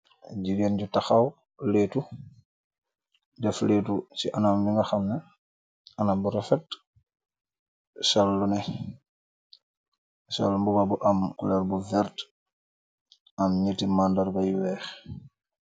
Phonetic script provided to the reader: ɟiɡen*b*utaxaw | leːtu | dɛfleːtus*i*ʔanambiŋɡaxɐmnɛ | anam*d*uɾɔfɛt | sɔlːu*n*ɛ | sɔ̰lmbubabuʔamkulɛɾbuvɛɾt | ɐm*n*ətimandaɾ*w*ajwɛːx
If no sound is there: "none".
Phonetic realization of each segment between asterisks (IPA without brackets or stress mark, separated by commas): ɟ, i, b, n, ɲ, b